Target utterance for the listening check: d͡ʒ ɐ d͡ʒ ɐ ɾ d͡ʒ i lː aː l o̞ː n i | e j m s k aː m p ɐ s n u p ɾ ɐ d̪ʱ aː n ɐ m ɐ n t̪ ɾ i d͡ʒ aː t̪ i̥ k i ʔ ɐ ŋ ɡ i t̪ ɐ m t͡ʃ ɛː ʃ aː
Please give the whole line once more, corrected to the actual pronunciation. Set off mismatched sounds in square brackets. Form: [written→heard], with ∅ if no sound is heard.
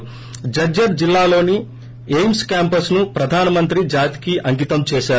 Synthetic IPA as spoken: d͡ʒ ɐ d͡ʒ ɐ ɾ d͡ʒ i lː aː l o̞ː n i | e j m s k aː m p ɐ s n u p ɾ ɐ d̪ʱ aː n ɐ m ɐ n t̪ ɾ i d͡ʒ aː t̪ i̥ k i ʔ ɐ ŋ ɡ i t̪ ɐ m t͡ʃ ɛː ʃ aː